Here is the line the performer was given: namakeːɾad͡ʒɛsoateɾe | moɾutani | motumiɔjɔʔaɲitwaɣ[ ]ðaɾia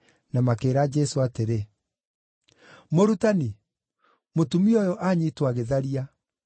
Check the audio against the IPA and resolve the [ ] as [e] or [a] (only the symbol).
e